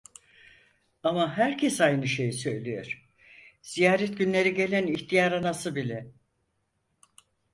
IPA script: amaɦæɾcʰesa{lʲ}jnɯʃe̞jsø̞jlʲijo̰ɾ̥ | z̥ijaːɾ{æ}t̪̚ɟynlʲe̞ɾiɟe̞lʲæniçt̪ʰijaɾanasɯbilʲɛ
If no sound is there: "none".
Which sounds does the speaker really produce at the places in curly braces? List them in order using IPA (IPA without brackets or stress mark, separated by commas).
none, ɛ